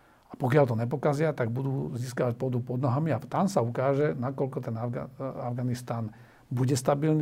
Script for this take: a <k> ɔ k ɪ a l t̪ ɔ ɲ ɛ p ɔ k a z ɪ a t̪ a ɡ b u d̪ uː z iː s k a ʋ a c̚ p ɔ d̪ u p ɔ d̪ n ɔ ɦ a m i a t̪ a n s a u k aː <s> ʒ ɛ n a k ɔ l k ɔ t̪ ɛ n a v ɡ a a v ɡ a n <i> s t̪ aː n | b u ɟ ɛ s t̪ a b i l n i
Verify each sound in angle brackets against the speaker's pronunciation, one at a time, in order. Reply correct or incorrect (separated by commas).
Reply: incorrect, incorrect, correct